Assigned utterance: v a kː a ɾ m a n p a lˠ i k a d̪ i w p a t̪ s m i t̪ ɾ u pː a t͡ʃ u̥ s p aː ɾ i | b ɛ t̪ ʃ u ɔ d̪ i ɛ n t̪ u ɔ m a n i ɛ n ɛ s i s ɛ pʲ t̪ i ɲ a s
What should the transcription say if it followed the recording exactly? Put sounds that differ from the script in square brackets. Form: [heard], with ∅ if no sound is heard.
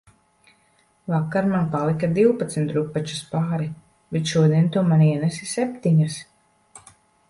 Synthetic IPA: v a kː a ɾ m a n p a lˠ i k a d̪ i w p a t̪ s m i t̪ ɾ u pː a t͡ʃ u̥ s p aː ɾ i | b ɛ t̪ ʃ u ɔ d̪ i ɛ n t̪ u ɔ m a n i ɛ n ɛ s i s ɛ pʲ t̪ i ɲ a s